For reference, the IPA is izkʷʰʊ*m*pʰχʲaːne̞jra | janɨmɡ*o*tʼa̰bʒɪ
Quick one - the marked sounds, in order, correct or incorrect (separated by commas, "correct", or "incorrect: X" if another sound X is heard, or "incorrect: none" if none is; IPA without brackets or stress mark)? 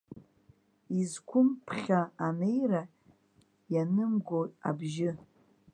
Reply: correct, correct